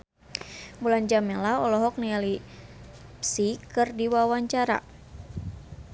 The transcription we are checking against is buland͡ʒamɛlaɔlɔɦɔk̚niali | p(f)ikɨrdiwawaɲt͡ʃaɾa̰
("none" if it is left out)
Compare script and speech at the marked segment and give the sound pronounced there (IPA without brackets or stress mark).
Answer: s